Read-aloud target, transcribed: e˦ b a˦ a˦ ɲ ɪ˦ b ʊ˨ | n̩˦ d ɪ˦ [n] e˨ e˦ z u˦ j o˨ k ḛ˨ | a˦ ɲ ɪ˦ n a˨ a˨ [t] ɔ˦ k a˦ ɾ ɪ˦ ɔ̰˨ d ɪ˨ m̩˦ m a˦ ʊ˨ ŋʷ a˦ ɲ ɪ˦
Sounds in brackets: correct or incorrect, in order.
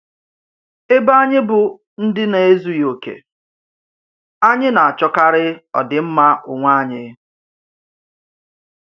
correct, incorrect

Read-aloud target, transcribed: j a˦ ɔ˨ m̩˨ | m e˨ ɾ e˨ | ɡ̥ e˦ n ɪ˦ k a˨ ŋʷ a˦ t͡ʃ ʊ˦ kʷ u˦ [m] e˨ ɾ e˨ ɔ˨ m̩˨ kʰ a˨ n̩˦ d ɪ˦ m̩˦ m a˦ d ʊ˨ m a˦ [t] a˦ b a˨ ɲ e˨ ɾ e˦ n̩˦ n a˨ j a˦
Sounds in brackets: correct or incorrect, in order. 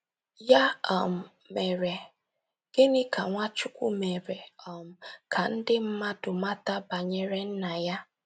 correct, correct

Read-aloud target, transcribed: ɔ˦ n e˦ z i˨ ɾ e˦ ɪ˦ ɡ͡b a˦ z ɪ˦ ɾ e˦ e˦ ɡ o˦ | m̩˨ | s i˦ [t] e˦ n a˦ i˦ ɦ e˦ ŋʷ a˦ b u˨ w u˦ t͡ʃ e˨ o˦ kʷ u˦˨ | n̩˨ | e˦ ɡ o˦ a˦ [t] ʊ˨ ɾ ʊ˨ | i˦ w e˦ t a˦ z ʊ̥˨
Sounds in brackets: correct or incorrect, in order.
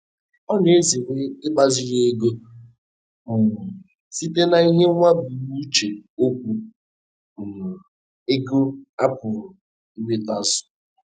correct, incorrect

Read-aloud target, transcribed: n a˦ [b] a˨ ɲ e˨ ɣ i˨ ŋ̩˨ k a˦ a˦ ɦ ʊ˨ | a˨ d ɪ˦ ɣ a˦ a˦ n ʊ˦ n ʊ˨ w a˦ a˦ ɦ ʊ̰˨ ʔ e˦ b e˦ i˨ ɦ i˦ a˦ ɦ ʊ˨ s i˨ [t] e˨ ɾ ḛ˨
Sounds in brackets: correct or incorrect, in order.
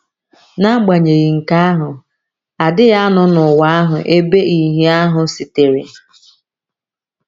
incorrect, correct

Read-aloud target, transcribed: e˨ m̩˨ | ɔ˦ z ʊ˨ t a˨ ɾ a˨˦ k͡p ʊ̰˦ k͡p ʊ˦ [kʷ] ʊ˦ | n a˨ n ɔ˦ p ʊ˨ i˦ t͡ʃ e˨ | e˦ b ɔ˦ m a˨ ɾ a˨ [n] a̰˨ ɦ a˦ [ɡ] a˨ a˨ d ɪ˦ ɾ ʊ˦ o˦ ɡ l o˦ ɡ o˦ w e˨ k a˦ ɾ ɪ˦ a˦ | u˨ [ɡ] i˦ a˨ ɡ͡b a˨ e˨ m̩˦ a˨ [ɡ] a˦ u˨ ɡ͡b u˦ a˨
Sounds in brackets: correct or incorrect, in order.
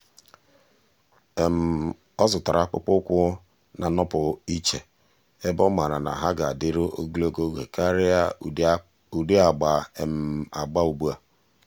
correct, correct, correct, incorrect, incorrect

